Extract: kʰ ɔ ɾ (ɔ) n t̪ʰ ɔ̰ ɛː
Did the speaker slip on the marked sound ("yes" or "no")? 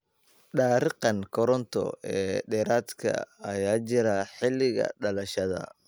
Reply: no